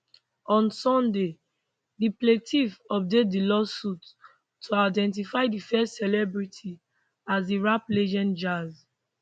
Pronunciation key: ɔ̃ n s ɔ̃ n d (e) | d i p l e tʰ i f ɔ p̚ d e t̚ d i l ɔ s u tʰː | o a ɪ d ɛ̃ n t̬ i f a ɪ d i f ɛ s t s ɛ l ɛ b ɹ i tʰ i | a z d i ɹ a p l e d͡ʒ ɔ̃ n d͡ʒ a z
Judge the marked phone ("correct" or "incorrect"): correct